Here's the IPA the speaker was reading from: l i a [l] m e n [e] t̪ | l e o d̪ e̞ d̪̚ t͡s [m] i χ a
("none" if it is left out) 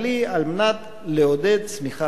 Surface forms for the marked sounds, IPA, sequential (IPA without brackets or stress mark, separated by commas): l, a, m